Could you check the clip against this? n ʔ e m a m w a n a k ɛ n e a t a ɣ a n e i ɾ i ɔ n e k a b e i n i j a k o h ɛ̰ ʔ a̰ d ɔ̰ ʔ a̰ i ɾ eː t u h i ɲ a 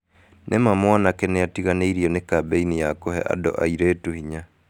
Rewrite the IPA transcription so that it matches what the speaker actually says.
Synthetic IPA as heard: n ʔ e m a m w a n a k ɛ n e a t i ɣ a n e i ɾ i ɔ n e k a b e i n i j a k o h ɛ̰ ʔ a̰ d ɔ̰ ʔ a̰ i ɾ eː t u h i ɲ a